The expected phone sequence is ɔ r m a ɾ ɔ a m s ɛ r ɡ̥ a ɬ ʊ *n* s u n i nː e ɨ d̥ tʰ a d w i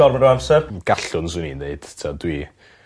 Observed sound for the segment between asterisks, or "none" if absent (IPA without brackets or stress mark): n